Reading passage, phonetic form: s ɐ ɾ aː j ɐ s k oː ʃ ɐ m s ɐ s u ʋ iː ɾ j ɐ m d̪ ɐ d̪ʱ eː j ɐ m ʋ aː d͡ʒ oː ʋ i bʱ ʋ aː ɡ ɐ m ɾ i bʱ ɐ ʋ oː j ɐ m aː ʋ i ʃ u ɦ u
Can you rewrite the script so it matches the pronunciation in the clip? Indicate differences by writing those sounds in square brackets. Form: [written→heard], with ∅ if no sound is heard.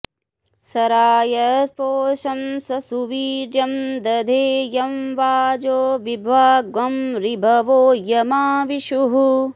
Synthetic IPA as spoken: s ɐ ɾ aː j ɐ s [k→p] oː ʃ ɐ m s ɐ s u ʋ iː ɾ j ɐ m d̪ ɐ d̪ʱ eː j ɐ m ʋ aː d͡ʒ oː ʋ i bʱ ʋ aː ɡ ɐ m ɾ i bʱ ɐ ʋ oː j ɐ m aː ʋ i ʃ u ɦ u